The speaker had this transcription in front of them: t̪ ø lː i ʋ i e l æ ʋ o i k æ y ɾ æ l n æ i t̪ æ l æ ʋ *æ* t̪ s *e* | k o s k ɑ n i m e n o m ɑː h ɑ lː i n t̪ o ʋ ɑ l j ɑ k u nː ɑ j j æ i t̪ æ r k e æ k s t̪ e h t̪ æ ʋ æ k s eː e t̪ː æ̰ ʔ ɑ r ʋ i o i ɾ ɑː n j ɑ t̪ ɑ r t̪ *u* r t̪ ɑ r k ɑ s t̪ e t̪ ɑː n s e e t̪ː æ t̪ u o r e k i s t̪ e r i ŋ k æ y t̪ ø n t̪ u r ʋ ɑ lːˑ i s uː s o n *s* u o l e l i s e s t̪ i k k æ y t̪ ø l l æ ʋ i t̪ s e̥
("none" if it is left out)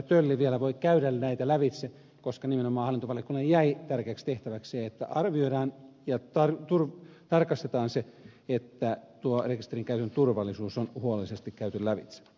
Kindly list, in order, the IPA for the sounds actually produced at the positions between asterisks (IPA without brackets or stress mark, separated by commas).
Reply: i, e, u, h